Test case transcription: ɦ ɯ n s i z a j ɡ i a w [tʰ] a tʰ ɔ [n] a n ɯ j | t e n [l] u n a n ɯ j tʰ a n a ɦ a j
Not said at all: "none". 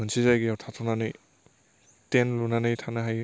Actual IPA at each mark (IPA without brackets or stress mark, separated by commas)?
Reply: tʰ, n, l